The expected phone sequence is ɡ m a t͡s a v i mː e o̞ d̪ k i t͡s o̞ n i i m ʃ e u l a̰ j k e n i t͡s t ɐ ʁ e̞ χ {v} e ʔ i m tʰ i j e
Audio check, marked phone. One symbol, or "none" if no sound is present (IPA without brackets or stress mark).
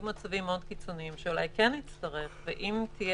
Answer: v